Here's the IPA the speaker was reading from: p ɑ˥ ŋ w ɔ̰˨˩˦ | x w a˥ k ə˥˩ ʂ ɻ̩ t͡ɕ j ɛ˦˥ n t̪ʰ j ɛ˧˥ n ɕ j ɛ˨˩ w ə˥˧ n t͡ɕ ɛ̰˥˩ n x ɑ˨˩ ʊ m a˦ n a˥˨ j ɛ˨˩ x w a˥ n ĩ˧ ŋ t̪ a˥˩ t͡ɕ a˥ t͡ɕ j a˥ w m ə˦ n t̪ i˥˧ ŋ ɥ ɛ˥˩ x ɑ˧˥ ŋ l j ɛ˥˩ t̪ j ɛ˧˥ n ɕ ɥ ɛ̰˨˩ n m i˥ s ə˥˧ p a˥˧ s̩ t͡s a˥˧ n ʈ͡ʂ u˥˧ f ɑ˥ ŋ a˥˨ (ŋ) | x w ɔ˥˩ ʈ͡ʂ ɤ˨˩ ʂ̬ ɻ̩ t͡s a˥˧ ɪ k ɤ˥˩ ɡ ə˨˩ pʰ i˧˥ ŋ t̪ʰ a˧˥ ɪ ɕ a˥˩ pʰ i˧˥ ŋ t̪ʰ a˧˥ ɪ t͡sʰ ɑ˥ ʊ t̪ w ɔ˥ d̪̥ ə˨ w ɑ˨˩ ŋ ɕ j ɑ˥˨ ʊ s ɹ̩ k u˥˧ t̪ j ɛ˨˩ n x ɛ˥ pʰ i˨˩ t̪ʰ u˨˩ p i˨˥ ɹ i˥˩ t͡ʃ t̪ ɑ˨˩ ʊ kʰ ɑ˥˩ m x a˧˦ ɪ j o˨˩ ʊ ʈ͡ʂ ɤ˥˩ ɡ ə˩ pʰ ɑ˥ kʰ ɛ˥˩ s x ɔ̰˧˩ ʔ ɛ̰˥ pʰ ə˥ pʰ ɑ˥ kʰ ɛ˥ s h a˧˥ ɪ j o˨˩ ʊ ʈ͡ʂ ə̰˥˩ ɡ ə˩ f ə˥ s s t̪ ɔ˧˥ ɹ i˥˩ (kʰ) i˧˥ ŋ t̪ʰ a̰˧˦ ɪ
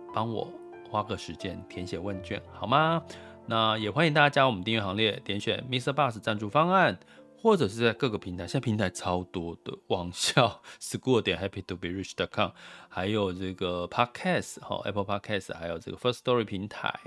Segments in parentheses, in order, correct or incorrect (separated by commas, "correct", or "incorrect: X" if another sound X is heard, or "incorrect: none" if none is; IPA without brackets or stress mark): incorrect: n, incorrect: pʰ